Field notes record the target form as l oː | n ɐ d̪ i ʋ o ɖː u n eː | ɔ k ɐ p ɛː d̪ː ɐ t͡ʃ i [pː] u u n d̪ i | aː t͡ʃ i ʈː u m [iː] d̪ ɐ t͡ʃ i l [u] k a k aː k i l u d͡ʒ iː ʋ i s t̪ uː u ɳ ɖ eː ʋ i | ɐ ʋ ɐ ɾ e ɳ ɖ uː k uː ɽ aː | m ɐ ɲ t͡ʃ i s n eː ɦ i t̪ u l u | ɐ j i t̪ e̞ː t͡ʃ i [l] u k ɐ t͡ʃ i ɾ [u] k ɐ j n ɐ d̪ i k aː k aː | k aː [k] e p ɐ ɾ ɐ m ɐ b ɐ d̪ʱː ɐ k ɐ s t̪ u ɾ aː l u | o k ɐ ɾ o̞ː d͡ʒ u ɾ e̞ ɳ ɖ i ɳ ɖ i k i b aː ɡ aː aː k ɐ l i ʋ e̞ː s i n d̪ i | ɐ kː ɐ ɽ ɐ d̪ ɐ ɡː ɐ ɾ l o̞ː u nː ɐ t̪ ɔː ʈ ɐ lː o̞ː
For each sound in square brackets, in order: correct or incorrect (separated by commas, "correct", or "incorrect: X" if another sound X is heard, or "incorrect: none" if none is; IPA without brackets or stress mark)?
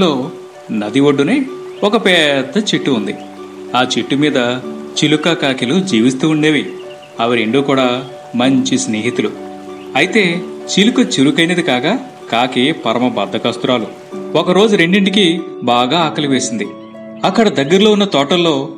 incorrect: ʈː, correct, correct, correct, correct, correct